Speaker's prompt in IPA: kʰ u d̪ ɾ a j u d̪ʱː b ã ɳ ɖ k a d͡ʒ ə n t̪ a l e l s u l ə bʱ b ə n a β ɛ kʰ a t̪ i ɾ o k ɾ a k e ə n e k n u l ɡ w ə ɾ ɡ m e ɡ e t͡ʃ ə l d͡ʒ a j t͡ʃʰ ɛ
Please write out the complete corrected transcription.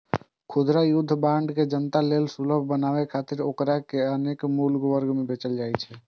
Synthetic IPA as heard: kʰ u d̪ ɾ a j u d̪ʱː b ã ɳ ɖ k e d͡ʒ ə n t̪ a l e l s u l ə bʱ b ə n a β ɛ kʰ a t̪ i ɾ o k ɾ a k e ə n e k m u l ɡ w ə ɾ ɡ m e b e t͡ʃ ə l d͡ʒ a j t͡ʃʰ ɛ